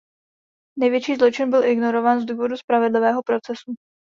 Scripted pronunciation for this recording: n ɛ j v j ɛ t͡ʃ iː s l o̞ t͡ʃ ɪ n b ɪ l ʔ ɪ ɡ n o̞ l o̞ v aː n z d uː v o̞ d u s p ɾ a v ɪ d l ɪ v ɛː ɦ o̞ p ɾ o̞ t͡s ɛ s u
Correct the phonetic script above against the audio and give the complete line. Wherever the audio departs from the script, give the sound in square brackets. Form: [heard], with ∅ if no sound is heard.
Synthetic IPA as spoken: n ɛ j v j ɛ t͡ʃ iː [z] l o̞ t͡ʃ ɪ n b ɪ l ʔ ɪ ɡ n o̞ [ɾ] o̞ v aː n z d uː v o̞ d u s p ɾ a v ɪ d l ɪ v ɛː ɦ o̞ p ɾ o̞ t͡s ɛ s u